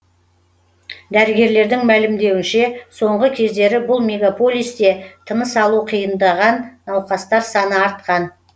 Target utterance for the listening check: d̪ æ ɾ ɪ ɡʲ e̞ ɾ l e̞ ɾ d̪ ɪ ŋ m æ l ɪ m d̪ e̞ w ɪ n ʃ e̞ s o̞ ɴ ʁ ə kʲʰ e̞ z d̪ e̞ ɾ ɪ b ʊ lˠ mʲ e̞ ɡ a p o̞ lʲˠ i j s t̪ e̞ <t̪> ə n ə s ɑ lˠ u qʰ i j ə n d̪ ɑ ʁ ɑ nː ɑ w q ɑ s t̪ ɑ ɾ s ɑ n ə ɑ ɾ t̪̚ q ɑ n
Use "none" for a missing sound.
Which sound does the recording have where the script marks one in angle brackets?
t̪ʰ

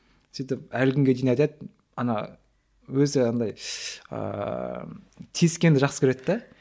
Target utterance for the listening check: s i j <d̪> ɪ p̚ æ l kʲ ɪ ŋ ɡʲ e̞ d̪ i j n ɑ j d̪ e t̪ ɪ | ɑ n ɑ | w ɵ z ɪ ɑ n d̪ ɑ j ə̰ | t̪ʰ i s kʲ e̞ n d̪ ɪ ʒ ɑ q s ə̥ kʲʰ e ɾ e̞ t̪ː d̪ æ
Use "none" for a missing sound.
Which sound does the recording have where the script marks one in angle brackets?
t̪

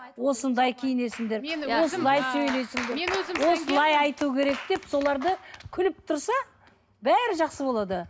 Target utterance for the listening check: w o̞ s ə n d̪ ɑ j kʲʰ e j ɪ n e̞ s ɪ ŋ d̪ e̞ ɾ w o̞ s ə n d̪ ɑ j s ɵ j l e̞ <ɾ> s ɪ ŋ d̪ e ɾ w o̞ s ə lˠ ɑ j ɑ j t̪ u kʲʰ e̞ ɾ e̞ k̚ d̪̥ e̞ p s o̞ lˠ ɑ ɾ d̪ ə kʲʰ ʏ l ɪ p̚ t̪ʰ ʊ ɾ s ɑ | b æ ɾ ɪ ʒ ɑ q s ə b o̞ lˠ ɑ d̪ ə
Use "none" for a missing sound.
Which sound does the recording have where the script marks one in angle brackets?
none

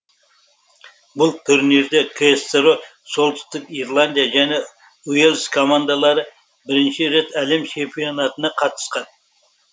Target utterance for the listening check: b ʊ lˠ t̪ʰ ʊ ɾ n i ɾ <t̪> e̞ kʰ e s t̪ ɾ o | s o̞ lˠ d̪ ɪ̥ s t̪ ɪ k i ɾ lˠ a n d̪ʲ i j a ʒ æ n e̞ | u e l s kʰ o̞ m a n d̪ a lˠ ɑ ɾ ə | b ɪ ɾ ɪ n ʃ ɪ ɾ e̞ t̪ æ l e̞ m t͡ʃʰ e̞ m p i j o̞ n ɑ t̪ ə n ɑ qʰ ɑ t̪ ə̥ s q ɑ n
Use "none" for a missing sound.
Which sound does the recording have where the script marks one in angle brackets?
d̪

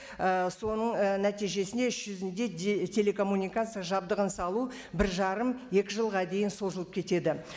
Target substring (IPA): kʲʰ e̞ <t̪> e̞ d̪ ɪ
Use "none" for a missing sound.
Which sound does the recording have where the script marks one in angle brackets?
t̪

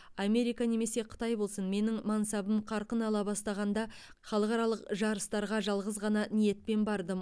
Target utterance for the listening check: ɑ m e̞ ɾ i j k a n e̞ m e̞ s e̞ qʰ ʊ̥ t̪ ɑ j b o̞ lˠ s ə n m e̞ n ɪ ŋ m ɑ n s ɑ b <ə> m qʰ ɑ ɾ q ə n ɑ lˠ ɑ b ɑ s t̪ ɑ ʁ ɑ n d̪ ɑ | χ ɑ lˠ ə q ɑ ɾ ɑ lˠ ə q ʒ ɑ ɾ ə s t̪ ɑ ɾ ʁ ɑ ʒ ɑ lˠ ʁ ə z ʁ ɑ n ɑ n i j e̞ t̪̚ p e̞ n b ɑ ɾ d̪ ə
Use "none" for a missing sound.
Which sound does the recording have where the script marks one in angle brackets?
ə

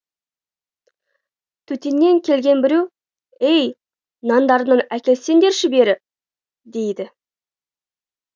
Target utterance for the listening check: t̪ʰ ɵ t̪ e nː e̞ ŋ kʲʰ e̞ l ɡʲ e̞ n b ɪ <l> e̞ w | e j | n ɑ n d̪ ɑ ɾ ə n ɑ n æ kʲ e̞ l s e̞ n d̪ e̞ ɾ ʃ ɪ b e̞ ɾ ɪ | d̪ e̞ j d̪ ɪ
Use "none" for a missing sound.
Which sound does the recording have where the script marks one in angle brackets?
ɾ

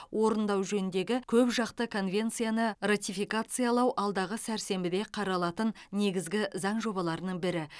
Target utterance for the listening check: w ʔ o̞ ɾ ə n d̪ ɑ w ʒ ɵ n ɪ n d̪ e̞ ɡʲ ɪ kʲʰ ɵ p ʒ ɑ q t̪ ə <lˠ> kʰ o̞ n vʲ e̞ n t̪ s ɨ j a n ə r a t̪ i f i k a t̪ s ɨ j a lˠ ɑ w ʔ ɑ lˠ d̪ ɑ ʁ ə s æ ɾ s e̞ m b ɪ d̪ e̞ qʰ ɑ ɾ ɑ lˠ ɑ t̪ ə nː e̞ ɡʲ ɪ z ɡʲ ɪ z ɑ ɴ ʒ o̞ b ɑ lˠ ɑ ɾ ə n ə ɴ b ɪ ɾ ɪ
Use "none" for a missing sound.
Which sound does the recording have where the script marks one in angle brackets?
none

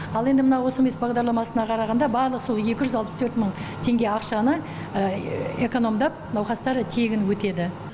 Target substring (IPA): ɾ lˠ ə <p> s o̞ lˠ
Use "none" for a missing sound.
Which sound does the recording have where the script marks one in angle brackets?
q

